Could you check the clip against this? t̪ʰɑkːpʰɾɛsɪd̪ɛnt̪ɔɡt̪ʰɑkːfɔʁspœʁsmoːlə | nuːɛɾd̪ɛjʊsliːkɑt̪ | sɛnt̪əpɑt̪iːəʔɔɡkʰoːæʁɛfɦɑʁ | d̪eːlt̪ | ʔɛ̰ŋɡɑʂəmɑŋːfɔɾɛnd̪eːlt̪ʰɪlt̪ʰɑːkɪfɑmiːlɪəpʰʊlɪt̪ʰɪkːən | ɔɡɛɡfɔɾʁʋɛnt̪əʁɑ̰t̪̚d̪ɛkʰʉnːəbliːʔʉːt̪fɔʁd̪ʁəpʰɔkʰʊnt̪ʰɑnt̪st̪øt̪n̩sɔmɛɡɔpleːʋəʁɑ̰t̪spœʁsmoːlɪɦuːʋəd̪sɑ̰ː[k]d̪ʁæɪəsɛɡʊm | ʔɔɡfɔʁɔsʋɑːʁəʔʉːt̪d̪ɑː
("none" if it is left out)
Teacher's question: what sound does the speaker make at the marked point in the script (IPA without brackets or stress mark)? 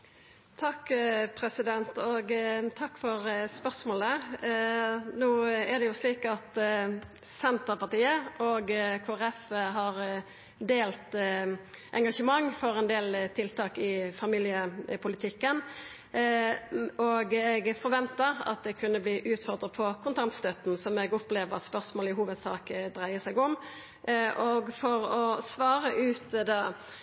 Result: k